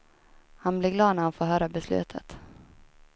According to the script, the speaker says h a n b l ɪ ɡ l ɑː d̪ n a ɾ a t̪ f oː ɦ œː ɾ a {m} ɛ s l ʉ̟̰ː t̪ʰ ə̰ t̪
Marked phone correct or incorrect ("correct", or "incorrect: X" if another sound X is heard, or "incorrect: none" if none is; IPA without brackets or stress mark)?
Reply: incorrect: b